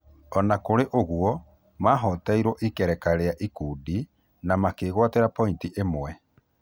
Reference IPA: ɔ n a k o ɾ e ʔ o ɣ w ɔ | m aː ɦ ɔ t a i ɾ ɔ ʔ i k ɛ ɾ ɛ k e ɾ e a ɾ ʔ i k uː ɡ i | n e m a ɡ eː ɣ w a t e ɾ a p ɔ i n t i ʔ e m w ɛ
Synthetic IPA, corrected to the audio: ɔ n a k o ɾ e ʔ o ɣ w ɔ | m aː ɦ ɔ t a i ɾ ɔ ʔ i k ɛ ɾ ɛ k a ɾ e a ʔ i k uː d i | n a m a k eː ɣ w a t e ɾ a p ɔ i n t i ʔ e m w ɛ